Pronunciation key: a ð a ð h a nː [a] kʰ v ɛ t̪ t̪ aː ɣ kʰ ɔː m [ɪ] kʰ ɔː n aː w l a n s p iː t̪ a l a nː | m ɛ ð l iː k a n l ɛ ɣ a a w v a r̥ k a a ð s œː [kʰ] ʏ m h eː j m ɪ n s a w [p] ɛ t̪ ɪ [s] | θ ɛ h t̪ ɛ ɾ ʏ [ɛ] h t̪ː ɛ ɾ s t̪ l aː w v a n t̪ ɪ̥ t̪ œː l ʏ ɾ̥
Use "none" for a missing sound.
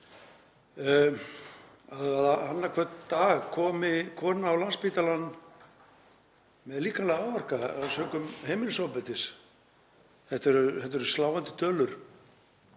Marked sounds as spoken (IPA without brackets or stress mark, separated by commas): a, ɪ, k, p, s, ɛ